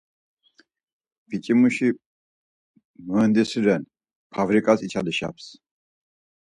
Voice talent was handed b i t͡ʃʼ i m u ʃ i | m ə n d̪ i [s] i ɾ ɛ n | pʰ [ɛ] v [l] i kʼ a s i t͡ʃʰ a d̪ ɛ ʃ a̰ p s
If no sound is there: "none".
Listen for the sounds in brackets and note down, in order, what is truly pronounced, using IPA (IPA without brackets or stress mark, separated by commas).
s, a, ɾ